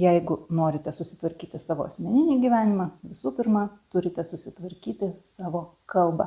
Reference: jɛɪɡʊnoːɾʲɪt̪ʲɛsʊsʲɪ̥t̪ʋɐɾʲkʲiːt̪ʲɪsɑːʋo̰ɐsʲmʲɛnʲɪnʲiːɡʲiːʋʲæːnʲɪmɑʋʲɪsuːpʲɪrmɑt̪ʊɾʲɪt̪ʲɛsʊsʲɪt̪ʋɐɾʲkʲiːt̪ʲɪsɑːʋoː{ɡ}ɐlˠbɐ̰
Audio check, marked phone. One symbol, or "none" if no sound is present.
k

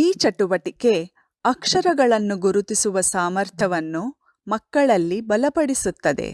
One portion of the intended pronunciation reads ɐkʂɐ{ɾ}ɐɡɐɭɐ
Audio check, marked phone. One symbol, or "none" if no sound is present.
ɾ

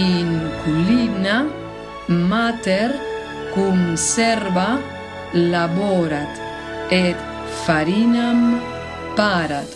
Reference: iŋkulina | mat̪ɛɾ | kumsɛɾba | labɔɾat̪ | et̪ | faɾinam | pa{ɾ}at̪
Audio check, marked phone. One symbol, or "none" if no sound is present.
ɾ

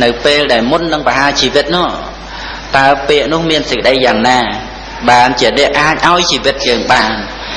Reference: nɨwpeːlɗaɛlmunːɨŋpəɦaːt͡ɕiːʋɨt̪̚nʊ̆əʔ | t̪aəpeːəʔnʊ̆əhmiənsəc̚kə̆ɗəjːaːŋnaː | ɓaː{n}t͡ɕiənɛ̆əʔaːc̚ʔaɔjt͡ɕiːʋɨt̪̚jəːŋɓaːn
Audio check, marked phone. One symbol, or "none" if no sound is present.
n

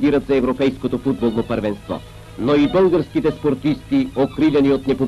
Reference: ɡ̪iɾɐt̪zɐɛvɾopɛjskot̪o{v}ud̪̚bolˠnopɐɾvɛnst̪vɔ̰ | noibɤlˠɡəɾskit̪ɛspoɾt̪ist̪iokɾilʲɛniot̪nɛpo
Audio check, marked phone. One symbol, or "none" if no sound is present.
f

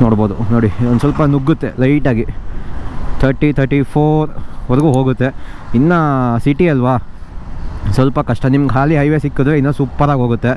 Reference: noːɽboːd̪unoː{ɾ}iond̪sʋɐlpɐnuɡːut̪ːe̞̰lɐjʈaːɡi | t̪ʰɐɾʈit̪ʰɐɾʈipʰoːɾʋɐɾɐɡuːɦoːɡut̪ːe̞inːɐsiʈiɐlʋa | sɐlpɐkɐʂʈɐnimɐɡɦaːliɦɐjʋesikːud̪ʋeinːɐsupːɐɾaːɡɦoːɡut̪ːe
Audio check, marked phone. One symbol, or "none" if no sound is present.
ɽ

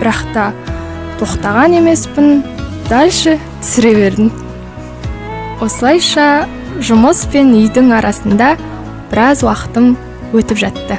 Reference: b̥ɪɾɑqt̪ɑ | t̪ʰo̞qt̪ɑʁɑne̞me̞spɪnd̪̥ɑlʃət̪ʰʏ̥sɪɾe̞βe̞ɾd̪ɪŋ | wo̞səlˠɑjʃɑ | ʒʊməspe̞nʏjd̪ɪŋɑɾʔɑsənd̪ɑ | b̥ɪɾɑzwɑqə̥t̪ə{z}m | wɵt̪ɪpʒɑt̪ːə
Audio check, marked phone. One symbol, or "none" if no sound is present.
none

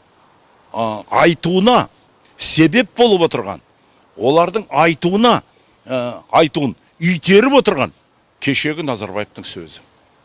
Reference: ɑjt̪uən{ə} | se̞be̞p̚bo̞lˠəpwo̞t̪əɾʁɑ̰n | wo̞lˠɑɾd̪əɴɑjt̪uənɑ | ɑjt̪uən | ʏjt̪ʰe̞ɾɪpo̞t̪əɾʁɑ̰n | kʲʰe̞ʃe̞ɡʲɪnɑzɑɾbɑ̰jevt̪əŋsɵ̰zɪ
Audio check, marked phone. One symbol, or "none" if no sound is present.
ɑ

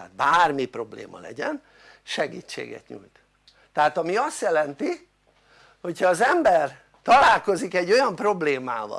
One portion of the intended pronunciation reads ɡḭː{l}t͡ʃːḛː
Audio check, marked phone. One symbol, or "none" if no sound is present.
none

